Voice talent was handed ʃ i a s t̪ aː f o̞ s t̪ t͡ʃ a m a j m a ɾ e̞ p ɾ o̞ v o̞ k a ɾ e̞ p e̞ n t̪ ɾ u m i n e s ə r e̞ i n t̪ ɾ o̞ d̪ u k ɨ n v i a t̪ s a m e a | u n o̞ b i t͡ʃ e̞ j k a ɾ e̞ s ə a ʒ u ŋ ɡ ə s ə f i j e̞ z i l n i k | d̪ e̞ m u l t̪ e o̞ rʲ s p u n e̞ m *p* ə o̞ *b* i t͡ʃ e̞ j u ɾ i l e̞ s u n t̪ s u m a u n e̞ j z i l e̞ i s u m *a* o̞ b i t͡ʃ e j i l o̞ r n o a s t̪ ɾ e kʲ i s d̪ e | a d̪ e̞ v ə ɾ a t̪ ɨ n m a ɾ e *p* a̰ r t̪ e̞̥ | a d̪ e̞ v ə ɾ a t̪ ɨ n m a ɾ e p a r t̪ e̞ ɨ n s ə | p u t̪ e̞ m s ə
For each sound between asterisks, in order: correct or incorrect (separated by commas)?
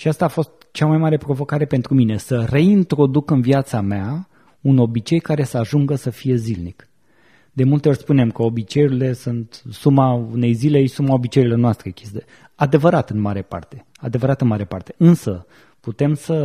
incorrect, correct, correct, correct